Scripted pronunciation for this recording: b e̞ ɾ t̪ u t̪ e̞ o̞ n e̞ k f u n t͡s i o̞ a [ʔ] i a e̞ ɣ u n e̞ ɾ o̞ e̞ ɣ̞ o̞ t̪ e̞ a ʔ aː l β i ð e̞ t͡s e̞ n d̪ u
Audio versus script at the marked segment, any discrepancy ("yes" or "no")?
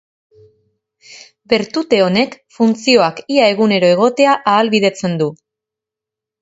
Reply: yes